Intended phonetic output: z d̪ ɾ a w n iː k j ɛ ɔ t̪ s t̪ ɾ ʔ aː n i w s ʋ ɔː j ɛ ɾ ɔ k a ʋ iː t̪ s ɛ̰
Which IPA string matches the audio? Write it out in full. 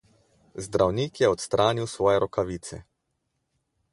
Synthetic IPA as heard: z d̪ ɾ a w n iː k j ɛ ɔ t̪ s t̪ ɾ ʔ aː n i w s ʋ ɔː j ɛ ɾ ɔ k a ʋ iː t̪ s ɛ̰